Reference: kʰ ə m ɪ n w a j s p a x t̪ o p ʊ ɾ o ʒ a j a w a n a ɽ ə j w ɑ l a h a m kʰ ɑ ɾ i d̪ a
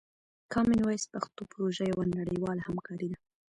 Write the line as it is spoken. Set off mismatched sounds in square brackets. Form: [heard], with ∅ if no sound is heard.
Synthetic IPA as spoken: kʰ [ɑ] m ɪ n w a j s p a x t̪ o p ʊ ɾ o ʒ a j a w a n a ɽ ə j w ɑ l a h a m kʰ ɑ ɾ i d̪ a